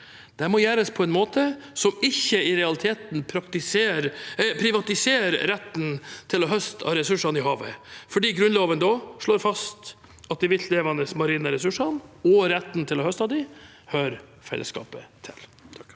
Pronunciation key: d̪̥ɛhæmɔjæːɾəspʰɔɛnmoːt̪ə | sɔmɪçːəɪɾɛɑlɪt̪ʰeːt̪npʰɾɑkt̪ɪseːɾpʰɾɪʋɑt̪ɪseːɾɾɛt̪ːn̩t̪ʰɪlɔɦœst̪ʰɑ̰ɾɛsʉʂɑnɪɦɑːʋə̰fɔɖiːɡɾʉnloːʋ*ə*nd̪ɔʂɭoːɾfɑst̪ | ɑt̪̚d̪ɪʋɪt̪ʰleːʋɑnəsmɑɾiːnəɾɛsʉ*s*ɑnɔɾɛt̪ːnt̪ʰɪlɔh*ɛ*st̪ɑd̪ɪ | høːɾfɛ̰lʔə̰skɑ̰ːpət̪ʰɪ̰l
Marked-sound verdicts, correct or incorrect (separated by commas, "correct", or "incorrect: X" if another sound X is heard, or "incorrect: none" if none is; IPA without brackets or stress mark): correct, incorrect: ʂ, incorrect: œ